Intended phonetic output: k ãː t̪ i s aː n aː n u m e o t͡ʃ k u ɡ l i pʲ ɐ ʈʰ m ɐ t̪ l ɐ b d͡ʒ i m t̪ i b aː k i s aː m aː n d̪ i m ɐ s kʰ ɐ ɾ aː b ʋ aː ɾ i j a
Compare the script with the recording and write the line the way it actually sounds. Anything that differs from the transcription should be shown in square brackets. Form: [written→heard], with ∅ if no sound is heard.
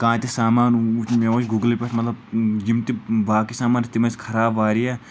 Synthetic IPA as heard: k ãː t̪ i s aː [n→m] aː n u m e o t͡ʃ [k→ɡ] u ɡ l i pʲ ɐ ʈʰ m ɐ t̪ l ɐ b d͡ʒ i m t̪ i b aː k i s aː m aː n [d̪→t̪] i m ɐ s kʰ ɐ ɾ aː b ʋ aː ɾ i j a